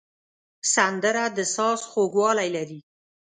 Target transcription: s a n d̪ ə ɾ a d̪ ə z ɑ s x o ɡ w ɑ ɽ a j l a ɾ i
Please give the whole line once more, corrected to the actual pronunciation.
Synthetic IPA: s a n d̪ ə ɾ a d̪ ə s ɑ s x o ɡ w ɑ l a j l a ɾ i